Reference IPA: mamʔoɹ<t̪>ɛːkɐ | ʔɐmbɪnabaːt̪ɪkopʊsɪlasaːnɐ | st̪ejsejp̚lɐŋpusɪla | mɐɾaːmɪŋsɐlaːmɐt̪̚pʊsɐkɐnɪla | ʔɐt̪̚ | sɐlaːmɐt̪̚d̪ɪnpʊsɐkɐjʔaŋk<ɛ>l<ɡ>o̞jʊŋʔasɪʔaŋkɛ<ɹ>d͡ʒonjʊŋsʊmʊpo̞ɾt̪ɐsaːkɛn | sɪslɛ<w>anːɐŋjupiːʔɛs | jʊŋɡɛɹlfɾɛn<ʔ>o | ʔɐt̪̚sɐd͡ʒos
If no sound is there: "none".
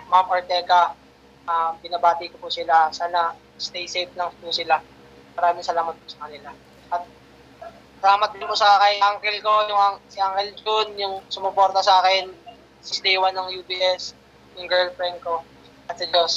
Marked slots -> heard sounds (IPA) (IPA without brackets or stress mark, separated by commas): t̪, ɛ, k, l, w, k